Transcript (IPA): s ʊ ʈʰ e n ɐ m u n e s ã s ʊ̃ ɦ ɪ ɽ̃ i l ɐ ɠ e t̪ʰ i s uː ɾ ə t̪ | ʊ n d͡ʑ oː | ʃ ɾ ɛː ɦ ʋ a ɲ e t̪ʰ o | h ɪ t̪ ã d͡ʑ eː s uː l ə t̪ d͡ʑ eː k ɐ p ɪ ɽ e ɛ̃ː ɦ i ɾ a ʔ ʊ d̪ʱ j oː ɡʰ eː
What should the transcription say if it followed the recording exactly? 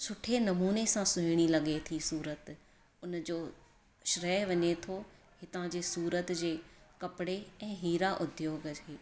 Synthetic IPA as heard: s ʊ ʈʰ e n ɐ m uː n e s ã s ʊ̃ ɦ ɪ ɽ̃ i l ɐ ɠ e t̪ʰ i s uː ɾ ə t̪ | ʊ n d͡ʑ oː | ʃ ɾ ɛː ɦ ʋ ɐ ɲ e t̪ʰ o | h ɪ t̪ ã d͡ʑ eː s uː ɾ ə t̪ d͡ʑ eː k ɐ p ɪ ɽ e ɛ̃ː ɦ iː ɾ a ʔ ʊ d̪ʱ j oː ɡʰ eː